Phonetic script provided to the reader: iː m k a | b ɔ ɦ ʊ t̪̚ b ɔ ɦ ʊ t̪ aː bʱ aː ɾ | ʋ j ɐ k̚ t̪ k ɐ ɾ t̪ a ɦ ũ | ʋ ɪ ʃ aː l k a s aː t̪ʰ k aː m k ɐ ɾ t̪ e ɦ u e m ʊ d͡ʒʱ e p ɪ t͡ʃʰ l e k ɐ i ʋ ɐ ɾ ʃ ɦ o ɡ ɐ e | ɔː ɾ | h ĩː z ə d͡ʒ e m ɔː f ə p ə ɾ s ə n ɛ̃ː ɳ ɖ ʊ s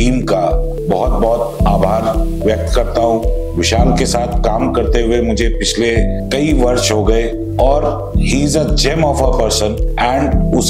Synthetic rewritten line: iː m k a | b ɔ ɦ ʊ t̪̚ b ɔ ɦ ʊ t̪ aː bʱ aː ɾ | ʋ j ɐ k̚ t̪ k ɐ ɾ t̪ a ɦ ũ | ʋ ɪ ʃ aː l k e s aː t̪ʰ k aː m k ɐ ɾ t̪ e ɦ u e m ʊ d͡ʒʱ e p ɪ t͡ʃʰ l e k ɐ i ʋ ɐ ɾ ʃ ɦ o ɡ ɐ e | ɔː ɾ | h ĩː z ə d͡ʒ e m ɔː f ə p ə ɾ s ə n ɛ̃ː ɳ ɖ ʊ s